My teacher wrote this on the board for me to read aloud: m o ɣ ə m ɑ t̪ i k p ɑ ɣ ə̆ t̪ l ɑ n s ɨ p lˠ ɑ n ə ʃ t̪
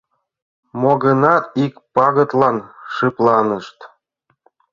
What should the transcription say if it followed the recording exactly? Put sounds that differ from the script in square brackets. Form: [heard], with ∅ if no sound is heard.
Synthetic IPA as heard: m o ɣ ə [n] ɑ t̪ i k p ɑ ɣ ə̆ t̪ l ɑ n [ʃ] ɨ p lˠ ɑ n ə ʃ t̪